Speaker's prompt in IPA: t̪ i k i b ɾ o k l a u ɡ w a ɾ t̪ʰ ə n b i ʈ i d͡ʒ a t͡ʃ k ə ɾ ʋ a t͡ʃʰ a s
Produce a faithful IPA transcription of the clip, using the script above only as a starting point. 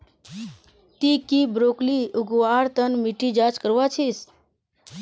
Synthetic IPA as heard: t̪ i k i b ɾ o k l i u ɡ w a ɾ t̪ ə n m i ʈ i d͡ʒ a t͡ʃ k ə ɾ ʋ a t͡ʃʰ i s